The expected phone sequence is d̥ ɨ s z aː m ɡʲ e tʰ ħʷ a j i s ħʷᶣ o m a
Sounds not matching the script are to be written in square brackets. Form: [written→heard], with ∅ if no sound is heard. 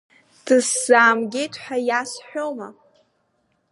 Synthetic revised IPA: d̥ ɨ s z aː m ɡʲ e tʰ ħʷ a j [i→a] s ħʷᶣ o m a